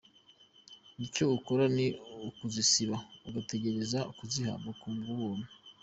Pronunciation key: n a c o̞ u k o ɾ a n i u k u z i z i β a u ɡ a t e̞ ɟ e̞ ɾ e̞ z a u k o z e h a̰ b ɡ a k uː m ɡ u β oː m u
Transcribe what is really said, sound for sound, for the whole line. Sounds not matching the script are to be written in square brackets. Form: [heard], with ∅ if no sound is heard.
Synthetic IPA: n [i] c o̞ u k o ɾ a n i u k u z i [s] i β a u ɡ a t e̞ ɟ e̞ ɾ e̞ z a u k [u] z [i] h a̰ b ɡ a k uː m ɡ u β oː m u